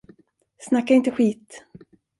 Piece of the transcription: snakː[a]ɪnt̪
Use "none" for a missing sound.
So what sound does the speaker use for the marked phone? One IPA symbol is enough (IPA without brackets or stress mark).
a